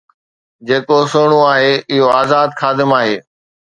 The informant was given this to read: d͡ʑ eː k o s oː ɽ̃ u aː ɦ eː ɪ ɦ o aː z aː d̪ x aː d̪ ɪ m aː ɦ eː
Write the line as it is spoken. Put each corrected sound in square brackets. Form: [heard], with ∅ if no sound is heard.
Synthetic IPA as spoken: d͡ʑ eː k o s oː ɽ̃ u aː ɦ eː ɪ ɦ o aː z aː d̪ x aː d̪ ɪ m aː ɦ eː